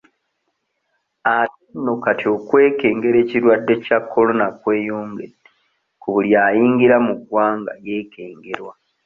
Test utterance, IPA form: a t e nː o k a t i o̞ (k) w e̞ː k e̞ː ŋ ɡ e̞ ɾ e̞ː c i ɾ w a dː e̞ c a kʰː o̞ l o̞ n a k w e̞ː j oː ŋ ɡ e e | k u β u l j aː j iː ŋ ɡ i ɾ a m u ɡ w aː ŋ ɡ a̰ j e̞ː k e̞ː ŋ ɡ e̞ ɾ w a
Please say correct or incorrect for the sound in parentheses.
correct